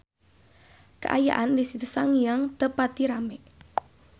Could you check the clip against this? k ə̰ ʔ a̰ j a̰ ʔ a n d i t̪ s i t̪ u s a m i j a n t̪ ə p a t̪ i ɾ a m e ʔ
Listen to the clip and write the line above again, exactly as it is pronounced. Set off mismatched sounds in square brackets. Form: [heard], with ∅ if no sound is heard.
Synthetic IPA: k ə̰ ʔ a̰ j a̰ ʔ a n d i [∅] s i t̪ u s a [ŋ] i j a [ŋ] t̪ ə p a t̪ i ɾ a m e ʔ